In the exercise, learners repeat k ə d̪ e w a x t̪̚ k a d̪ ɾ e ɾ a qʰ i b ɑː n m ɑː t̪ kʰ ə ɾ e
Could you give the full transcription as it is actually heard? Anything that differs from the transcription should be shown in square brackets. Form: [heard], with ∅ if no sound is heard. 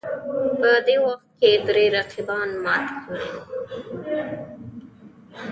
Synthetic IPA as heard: [p] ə d̪ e w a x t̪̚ k [e] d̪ ɾ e ɾ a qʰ i b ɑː n m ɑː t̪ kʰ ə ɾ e